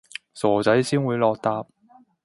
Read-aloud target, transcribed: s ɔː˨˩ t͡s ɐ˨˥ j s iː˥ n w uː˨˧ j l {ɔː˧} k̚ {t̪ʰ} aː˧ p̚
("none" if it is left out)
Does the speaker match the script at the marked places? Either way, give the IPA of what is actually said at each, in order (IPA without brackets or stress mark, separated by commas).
ɔː˧, t̪